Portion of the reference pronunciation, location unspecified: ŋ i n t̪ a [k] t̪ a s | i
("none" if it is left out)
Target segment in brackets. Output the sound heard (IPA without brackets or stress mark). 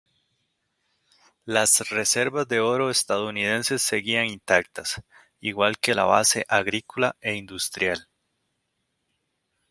k